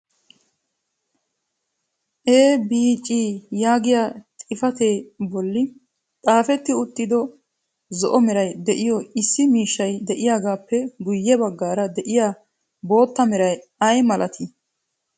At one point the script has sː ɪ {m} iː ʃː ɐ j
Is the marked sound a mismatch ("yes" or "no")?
no